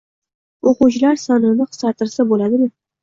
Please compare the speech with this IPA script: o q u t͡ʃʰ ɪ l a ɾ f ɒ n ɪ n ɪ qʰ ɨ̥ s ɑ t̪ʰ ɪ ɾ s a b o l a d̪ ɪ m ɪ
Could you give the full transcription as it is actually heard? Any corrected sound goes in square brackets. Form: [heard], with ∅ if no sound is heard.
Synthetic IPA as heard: o q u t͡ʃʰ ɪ l a ɾ [s] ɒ n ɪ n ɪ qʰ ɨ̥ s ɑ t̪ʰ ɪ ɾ s a b o l a d̪ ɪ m ɪ